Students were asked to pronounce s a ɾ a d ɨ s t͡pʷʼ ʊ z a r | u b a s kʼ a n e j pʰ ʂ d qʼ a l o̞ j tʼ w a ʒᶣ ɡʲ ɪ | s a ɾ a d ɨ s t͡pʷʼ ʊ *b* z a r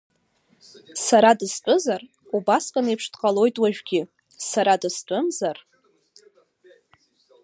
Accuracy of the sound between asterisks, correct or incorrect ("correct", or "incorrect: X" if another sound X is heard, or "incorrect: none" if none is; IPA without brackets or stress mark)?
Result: incorrect: m